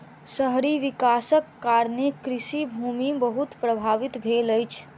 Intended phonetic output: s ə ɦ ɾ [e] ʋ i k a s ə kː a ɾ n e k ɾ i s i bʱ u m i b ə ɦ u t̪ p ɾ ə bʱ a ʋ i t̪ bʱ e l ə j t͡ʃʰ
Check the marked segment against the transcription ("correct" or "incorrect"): incorrect